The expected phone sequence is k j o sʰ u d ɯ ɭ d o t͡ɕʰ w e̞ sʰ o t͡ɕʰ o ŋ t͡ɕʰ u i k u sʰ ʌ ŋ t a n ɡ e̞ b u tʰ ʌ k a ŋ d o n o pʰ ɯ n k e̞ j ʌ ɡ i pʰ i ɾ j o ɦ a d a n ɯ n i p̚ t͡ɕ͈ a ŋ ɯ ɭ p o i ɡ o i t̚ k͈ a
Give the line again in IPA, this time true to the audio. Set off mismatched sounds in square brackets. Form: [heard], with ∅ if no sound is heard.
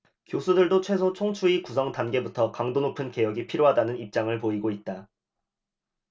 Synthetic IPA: k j o sʰ u d ɯ ɭ d o t͡ɕʰ w e̞ sʰ o t͡ɕʰ o ŋ t͡ɕʰ u i k u sʰ ʌ ŋ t a n ɡ e̞ b u tʰ ʌ k a ŋ d o n o pʰ ɯ n k e̞ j ʌ ɡ i pʰ i ɾ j o ɦ a d a n ɯ n i p̚ t͡ɕ͈ a ŋ ɯ ɭ p o i ɡ o i t̚ [t͈] a